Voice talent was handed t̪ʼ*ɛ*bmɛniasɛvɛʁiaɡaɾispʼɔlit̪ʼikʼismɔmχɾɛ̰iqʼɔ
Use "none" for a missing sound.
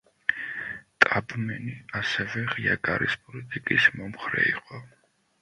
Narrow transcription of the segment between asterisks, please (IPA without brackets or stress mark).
a